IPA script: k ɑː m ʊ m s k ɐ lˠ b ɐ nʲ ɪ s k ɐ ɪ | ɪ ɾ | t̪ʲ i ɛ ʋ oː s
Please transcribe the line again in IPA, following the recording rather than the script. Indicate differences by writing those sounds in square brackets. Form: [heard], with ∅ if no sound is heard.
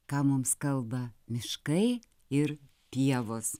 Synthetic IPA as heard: k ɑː m ʊ m s k ɐ lˠ b ɐ [mʲ] ɪ [ʃ] k ɐ ɪ | ɪ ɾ | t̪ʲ i ɛ ʋ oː s